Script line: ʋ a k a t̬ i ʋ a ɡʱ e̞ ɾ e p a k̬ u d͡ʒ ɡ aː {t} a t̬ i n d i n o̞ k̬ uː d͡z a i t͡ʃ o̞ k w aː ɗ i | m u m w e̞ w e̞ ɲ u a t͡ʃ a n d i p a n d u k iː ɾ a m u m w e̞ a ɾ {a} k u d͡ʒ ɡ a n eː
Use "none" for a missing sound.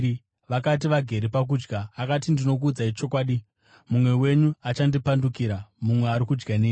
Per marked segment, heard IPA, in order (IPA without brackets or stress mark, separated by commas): k, i